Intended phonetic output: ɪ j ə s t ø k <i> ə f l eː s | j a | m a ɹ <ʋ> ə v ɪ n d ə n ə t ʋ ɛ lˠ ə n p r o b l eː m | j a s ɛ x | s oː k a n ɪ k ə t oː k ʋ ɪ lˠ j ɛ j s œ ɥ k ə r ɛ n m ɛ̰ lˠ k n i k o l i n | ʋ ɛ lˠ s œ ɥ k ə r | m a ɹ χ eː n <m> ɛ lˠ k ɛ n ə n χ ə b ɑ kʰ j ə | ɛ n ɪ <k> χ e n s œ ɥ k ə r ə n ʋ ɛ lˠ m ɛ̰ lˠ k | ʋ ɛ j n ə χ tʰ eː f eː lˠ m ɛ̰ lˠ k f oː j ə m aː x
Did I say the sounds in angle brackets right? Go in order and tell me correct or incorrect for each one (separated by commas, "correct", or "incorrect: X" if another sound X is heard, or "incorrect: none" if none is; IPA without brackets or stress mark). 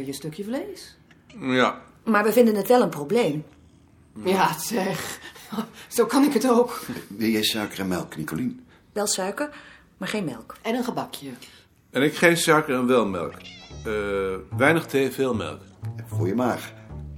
incorrect: j, correct, correct, correct